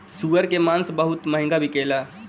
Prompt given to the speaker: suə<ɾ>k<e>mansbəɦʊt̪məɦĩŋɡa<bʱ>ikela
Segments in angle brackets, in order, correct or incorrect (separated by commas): correct, correct, correct